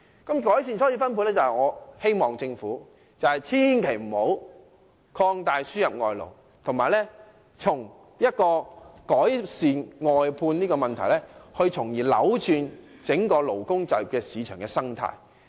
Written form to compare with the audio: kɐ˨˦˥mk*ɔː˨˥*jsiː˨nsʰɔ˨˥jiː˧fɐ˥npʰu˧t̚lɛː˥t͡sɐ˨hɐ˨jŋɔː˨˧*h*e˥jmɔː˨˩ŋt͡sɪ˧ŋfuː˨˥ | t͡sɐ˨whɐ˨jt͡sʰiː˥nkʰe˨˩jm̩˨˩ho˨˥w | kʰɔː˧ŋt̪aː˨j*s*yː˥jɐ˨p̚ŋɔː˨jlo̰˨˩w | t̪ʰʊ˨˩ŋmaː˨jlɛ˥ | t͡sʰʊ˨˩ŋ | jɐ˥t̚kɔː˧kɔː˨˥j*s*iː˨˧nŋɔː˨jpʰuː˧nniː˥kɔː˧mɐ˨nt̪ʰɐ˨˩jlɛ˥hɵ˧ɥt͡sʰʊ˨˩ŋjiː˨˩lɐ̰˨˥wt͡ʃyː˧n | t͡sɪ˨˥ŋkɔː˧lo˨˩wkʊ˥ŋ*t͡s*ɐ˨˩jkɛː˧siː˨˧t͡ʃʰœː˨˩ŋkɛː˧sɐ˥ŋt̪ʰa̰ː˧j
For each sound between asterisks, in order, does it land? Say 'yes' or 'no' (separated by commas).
yes, yes, yes, yes, yes